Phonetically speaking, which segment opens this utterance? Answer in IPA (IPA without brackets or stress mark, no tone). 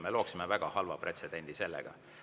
m